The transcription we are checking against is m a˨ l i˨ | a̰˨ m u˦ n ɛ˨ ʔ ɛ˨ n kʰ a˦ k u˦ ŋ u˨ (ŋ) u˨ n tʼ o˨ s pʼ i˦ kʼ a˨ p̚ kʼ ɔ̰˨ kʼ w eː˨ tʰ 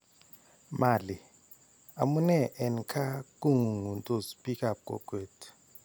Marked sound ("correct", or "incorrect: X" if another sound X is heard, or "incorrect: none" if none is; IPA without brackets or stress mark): correct